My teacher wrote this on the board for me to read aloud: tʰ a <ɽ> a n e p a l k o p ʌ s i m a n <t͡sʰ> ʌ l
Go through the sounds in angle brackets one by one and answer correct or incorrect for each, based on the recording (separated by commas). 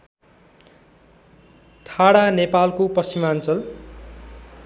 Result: correct, incorrect